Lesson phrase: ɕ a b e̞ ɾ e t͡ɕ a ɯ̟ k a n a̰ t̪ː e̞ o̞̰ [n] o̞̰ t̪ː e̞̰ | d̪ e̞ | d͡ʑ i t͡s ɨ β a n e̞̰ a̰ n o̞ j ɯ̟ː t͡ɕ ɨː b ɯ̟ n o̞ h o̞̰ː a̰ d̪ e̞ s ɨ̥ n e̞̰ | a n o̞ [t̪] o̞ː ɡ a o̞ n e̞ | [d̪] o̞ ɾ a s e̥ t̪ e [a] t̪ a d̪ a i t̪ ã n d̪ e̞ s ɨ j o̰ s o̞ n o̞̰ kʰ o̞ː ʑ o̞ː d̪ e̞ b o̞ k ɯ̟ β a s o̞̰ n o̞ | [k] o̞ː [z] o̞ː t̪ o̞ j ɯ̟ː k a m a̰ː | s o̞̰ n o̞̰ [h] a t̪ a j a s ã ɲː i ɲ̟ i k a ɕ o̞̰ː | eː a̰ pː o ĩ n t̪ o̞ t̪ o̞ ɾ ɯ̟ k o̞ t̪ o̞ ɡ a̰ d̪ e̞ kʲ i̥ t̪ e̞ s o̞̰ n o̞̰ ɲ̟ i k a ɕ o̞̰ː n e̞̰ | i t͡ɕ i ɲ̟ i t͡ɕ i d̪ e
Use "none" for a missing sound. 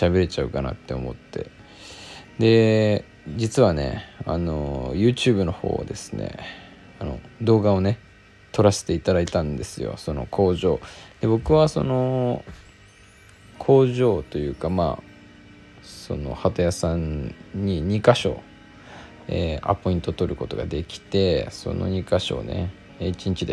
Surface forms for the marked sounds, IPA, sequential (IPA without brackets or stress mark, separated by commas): m, d̪, t̪, i, kʰ, ʑ, h